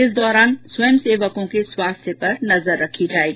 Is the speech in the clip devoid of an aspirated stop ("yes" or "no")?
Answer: no